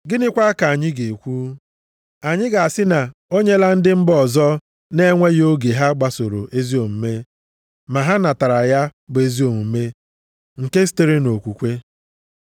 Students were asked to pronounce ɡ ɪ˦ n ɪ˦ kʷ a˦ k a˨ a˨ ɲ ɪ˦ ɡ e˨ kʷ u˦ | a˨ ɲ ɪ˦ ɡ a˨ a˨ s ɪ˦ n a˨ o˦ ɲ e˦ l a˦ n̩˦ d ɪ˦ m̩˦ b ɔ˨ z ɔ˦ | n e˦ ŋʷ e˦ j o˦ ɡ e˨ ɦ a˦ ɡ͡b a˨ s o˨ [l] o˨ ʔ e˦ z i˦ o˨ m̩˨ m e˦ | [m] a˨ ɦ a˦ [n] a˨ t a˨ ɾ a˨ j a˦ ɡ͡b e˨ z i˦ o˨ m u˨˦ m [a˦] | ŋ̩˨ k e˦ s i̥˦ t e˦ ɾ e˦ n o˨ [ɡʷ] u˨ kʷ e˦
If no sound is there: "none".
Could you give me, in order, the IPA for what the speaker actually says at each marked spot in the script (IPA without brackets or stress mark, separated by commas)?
ɾ, m, n, e˦, kʷ